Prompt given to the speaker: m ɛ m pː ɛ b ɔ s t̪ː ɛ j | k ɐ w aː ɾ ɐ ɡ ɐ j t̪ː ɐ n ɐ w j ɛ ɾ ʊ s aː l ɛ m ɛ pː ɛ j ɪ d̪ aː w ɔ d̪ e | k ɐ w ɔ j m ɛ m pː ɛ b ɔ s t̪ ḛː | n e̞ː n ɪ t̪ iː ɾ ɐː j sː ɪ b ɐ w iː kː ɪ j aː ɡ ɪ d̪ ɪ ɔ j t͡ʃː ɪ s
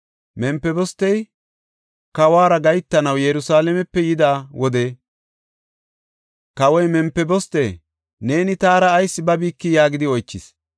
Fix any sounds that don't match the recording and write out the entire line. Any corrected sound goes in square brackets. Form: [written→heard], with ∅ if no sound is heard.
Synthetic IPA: m ɛ m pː ɛ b ɔ s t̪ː ɛ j | k ɐ w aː ɾ ɐ ɡ ɐ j t̪ː ɐ n ɐ w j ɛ ɾ ʊ s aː l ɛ m ɛ pː ɛ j ɪ d̪ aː w ɔ d̪ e | k ɐ w ɔ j m ɛ m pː ɛ b ɔ s t̪ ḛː | n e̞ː n ɪ t̪ [iː→aː] ɾ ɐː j sː ɪ b ɐ [w→b] iː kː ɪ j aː ɡ ɪ d̪ ɪ ɔ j t͡ʃː ɪ s